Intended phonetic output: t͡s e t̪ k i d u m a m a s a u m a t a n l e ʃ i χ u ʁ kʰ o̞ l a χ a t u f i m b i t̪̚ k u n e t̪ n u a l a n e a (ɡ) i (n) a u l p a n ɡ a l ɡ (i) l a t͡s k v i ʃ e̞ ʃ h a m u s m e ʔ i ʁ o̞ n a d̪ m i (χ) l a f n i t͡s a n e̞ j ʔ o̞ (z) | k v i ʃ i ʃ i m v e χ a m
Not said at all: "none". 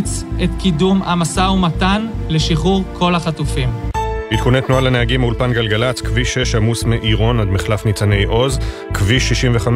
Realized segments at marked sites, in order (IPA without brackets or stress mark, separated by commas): ɡ, m, a, χ, z